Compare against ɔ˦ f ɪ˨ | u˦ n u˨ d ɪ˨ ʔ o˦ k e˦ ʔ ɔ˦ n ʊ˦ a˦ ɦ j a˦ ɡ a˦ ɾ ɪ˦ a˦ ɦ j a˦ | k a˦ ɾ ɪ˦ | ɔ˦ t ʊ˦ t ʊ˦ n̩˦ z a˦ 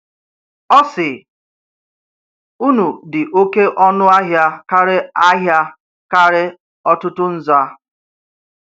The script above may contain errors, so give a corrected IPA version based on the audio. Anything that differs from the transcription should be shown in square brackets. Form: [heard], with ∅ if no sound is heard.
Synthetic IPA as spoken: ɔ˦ [s] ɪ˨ | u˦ n u˨ d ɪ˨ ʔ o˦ k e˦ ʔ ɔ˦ n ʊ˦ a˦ ɦ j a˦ [k] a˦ ɾ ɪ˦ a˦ ɦ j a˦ | k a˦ ɾ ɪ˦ | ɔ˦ t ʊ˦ t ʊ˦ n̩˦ z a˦